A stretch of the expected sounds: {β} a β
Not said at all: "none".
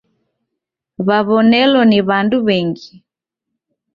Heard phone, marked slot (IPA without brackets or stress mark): β